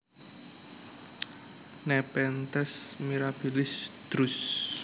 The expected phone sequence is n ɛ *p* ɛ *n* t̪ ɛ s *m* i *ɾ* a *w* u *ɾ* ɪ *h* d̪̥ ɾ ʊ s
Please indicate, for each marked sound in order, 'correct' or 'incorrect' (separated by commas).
correct, correct, correct, correct, incorrect, incorrect, incorrect